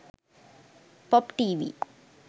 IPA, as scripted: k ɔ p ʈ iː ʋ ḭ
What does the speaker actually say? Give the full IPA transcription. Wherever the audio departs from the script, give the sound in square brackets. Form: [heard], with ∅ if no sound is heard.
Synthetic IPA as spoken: [p] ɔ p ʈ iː ʋ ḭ